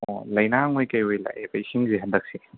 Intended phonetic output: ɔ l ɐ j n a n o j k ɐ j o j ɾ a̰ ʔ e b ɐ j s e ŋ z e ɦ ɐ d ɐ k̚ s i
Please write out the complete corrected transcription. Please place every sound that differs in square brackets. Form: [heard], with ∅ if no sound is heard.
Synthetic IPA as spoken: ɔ l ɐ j n a [ŋ] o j k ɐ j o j [l] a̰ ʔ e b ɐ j s [i] ŋ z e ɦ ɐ d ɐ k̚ s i